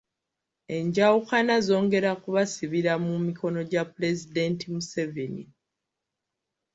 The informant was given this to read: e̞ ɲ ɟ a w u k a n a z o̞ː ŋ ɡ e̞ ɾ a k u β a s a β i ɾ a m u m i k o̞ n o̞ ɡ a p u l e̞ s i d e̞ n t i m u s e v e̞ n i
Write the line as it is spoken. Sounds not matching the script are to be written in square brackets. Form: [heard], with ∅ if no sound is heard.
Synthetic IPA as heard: e̞ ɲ ɟ a w u k a n a z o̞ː ŋ ɡ e̞ ɾ a k u β a s [i] β i ɾ a m u m i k o̞ n o̞ [ɟ] a p u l e̞ [z] i d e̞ n t i m u s e v e̞ n i